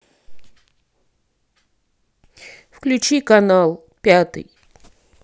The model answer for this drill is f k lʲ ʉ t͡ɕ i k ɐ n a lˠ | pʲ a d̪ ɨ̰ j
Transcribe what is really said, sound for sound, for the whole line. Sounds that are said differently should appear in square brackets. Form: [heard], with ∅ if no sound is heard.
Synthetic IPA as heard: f k lʲ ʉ t͡ɕ i k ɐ n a lˠ | pʲ a [t̪] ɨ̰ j